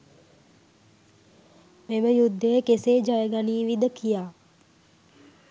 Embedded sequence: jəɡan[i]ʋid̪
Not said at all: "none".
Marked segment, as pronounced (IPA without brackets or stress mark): iː